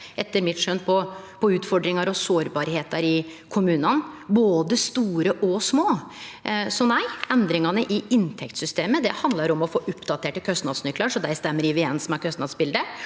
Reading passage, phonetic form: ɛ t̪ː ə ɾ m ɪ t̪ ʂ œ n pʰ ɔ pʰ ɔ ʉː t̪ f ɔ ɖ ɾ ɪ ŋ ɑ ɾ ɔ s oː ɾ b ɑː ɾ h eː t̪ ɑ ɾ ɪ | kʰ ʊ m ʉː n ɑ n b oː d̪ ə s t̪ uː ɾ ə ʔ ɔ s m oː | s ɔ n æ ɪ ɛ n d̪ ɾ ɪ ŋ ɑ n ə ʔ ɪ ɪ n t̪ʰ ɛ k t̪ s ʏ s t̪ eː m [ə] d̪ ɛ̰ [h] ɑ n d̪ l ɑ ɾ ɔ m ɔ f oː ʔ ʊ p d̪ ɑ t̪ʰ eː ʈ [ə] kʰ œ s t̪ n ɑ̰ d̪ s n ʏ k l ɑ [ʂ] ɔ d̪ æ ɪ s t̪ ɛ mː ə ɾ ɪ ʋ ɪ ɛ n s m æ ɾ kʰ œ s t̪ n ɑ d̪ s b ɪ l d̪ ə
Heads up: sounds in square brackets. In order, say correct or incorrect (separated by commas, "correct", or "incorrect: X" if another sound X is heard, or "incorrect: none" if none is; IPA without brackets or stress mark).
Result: correct, correct, correct, correct